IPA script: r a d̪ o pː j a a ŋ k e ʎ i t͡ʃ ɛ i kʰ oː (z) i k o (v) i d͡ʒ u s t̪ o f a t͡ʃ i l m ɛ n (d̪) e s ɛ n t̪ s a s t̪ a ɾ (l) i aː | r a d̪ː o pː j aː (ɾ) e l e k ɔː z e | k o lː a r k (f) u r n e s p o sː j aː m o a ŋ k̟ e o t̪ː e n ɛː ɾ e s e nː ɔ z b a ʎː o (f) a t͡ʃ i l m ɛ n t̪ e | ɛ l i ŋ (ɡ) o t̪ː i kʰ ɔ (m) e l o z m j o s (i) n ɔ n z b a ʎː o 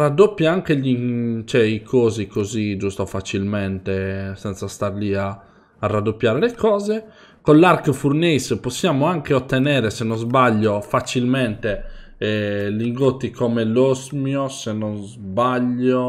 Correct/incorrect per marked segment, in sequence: correct, incorrect: z, incorrect: t̪, correct, correct, correct, correct, correct, correct, incorrect: e

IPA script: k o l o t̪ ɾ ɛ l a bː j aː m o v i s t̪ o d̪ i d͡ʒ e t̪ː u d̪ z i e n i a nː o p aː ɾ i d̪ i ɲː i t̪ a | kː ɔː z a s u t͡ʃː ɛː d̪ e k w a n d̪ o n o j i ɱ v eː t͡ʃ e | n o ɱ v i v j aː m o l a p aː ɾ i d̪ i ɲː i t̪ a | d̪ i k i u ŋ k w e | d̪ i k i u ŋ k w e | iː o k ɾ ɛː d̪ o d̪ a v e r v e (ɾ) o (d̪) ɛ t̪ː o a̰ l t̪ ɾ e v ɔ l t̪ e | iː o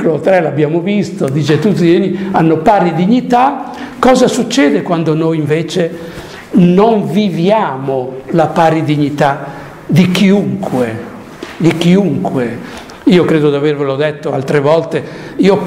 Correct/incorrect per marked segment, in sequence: incorrect: l, correct

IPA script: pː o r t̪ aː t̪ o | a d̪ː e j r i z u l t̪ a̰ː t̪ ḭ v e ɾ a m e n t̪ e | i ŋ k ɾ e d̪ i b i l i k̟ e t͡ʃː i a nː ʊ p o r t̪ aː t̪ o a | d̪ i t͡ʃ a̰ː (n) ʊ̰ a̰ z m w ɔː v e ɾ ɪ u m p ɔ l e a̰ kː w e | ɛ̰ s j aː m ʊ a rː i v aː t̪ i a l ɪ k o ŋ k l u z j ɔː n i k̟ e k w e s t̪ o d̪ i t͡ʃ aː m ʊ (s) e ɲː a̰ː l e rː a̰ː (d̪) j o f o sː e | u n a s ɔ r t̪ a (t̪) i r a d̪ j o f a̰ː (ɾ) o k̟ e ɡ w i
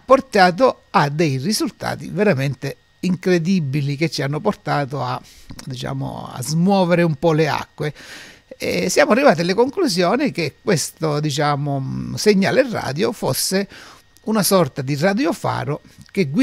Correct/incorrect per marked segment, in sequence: incorrect: m, correct, correct, incorrect: d̪, correct

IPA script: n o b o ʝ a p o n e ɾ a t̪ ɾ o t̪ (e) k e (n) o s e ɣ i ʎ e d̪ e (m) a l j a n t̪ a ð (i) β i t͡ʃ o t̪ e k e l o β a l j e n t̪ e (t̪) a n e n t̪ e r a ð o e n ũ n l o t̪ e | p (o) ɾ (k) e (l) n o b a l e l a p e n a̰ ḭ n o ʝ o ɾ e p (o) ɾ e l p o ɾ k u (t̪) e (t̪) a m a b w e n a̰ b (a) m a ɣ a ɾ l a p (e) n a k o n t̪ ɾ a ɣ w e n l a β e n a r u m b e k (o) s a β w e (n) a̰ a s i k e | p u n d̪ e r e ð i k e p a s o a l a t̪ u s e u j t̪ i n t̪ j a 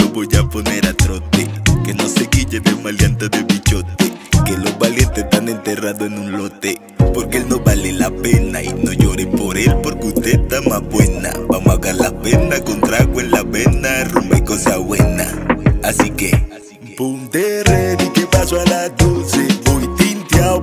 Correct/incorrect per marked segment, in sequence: correct, correct, correct, incorrect: e, correct, correct, correct, correct, correct, correct, correct, correct, correct, correct, correct

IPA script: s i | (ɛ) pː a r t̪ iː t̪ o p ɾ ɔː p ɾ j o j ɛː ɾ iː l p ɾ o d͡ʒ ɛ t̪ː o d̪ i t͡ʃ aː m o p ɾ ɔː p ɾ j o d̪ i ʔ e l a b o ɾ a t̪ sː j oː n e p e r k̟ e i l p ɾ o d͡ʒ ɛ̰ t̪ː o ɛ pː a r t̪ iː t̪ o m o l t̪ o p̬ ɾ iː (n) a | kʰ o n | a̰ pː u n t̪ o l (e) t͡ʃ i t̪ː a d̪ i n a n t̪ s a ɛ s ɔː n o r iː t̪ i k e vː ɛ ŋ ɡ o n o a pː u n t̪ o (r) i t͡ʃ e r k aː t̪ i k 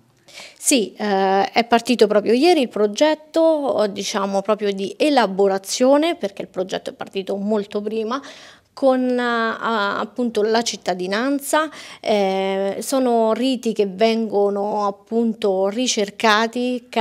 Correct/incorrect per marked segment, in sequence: correct, incorrect: m, incorrect: a, correct

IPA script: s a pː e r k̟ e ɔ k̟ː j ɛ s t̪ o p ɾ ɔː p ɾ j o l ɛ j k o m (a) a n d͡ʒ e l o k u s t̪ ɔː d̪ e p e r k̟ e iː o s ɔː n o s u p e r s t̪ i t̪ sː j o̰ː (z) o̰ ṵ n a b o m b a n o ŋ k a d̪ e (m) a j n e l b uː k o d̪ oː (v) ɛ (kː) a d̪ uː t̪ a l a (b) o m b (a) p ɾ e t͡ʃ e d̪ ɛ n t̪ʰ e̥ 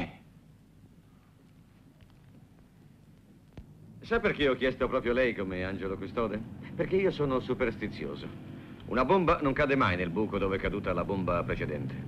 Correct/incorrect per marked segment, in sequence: incorrect: e, correct, correct, correct, correct, correct, correct

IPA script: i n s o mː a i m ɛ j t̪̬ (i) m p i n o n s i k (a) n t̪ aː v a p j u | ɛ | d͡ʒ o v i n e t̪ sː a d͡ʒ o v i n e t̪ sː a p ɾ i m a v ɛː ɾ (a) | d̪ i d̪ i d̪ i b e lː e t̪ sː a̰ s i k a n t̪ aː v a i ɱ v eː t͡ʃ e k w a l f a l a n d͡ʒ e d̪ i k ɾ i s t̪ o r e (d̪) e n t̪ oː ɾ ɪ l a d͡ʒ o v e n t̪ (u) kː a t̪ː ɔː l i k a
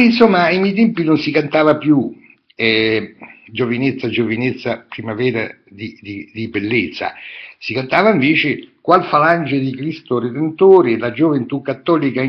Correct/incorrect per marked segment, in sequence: incorrect: ɛ, correct, correct, correct, correct

